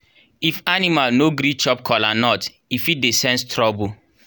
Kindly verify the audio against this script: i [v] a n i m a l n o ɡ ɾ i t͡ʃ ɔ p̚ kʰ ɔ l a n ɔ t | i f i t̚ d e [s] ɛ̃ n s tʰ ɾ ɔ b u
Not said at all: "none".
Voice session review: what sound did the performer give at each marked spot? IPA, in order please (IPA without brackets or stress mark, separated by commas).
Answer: f, s